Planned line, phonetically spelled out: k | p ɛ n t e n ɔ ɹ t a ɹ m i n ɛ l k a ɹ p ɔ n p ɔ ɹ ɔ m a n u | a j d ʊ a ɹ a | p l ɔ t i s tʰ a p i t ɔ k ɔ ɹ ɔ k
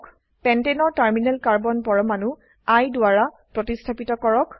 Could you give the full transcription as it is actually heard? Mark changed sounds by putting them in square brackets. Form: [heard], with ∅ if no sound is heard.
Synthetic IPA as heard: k | p ɛ n t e n ɔ ɹ t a ɹ m i n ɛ l k a ɹ [b] ɔ n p ɔ ɹ ɔ m a n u | a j d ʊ a ɹ a | p [ɹ] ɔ t i s tʰ a p i t ɔ k ɔ ɹ ɔ k